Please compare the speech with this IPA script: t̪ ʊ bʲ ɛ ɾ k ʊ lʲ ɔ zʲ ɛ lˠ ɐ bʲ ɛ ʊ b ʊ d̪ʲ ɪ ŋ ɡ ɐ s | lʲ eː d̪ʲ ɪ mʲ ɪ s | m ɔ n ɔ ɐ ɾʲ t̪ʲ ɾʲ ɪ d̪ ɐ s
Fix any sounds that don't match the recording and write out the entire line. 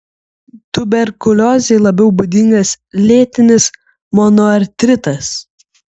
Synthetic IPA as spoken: t̪ ʊ bʲ ɛ ɾ k ʊ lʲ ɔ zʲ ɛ lˠ ɐ bʲ ɛ ʊ b ʊ d̪ʲ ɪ ŋ ɡ ɐ s | lʲ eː t̪ʲ ɪ nʲ ɪ s | m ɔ n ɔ ɐ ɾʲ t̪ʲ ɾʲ ɪ t̪ ɐ s